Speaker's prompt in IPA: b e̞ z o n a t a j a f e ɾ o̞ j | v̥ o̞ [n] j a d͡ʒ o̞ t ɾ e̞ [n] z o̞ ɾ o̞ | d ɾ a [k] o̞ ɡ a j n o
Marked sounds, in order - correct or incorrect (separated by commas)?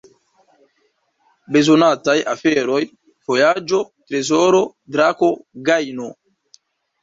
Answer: incorrect, incorrect, correct